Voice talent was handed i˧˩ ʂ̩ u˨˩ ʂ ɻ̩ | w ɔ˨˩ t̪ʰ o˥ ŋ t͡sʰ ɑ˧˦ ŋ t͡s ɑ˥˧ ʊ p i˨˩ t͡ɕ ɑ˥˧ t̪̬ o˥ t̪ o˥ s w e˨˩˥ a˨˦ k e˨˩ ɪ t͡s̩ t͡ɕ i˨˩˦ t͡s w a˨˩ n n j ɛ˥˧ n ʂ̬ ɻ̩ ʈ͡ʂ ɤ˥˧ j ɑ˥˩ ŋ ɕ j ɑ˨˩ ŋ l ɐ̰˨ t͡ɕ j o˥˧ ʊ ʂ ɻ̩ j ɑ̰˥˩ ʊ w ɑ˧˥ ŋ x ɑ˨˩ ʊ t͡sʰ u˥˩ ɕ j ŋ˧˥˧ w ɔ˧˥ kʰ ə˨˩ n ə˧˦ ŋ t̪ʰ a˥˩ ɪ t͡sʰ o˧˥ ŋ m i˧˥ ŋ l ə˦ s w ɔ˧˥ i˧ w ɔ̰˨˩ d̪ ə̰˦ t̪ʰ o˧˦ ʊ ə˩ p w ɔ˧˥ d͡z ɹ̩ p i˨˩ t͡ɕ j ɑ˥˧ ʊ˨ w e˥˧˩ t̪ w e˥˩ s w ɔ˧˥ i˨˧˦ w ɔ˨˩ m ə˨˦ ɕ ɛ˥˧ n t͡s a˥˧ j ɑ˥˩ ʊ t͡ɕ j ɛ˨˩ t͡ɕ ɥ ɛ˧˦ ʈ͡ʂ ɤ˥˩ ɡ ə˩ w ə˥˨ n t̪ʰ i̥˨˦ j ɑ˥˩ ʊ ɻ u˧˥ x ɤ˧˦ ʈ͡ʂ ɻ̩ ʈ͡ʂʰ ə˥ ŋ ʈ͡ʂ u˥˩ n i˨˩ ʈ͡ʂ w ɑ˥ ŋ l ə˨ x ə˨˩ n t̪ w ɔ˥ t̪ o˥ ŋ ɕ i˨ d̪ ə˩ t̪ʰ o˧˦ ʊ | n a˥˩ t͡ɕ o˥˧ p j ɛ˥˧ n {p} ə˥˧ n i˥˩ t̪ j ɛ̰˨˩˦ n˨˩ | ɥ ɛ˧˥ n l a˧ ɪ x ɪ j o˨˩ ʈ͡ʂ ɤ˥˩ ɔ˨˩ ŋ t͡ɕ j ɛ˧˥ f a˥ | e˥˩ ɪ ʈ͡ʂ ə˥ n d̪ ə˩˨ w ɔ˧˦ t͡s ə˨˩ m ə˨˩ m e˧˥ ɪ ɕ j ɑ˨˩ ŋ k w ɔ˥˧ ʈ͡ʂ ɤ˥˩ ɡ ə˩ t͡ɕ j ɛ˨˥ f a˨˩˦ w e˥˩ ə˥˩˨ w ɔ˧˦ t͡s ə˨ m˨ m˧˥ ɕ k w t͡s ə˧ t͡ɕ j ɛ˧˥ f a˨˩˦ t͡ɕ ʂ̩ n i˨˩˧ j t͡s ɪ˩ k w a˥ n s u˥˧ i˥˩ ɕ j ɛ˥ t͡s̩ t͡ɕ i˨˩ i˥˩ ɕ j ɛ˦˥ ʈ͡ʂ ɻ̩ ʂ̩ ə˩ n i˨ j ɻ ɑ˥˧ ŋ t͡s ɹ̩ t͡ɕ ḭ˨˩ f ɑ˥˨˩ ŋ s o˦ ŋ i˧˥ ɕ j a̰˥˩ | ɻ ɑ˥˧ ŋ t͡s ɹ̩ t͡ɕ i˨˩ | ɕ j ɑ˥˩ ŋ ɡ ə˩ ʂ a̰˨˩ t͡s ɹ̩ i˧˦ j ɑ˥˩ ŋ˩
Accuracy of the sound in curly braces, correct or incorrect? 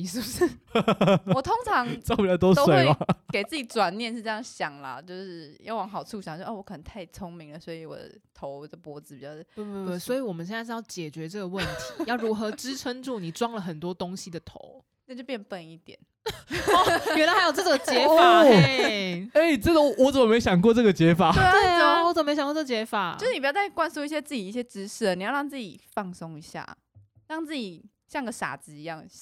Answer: correct